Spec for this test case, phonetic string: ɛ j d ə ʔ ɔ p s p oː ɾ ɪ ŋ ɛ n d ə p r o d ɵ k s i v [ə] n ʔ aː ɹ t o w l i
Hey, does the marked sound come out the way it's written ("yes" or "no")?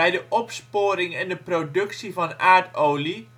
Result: no